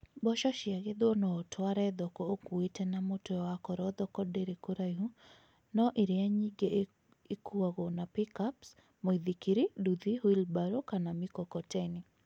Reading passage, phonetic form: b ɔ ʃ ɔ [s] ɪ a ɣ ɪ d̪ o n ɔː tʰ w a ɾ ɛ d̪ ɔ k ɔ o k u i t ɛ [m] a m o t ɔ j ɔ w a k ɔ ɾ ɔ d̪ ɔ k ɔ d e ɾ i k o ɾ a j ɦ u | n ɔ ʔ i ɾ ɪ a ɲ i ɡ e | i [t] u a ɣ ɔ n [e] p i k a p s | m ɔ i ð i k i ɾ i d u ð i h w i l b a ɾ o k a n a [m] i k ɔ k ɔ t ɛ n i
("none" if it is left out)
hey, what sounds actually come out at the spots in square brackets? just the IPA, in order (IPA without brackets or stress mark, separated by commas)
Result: ʃ, n, k, a, m